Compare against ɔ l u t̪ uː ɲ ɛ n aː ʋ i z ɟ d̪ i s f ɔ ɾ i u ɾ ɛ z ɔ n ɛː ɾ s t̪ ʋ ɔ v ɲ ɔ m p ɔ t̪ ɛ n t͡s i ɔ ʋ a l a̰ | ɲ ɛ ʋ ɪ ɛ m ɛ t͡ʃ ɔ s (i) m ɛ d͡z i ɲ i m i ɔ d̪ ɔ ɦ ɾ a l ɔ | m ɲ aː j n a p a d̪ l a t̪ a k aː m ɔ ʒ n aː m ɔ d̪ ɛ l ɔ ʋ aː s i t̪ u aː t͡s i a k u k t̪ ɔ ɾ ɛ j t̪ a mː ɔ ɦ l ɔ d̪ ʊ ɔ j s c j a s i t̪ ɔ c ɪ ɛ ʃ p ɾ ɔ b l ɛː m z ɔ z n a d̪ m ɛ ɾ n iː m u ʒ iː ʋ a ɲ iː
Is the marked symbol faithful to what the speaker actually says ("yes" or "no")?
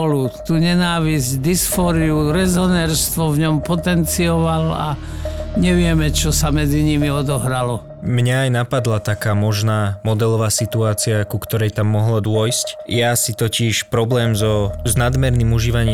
no